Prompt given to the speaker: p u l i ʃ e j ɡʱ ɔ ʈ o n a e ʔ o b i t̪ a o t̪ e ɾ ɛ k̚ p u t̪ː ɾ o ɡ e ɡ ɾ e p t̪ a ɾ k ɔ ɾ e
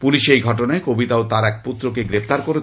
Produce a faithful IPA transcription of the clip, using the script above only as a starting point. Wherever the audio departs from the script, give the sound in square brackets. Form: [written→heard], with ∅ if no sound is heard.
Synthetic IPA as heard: p u l i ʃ e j ɡʱ ɔ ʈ o n a e [ʔ→k] o b i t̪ a o t̪ [e→a] ɾ ɛ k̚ p u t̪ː ɾ o [ɡ→k] e ɡ ɾ e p t̪ a ɾ k [ɔ→o] ɾ e